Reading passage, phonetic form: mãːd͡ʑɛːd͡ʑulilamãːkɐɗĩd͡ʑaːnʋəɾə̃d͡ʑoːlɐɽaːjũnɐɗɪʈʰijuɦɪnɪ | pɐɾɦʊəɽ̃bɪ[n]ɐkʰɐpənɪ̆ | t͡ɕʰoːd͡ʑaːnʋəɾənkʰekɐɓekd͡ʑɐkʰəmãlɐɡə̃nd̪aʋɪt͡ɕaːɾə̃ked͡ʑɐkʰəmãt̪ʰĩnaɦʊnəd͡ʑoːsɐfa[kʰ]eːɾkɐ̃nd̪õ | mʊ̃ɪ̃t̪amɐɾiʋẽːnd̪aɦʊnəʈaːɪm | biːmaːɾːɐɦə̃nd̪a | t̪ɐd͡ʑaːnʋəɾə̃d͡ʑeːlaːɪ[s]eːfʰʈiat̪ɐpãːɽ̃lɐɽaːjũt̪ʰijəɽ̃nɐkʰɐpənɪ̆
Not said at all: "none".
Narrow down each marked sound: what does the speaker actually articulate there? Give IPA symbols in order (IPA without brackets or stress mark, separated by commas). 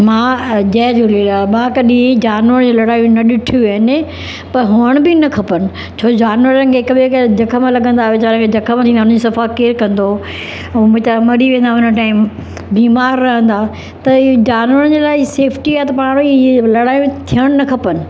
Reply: n, k, s